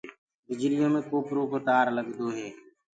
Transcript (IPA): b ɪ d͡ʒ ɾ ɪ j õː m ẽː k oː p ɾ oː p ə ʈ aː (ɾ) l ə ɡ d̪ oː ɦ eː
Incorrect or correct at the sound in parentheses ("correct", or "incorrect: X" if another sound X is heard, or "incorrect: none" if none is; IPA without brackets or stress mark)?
correct